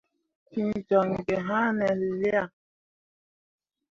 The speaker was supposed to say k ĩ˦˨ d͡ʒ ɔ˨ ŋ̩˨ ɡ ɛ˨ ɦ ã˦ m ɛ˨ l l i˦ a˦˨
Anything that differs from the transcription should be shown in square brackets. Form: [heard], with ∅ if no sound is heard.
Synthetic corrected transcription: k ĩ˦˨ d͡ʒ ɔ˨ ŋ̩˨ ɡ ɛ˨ ɦ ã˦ [n] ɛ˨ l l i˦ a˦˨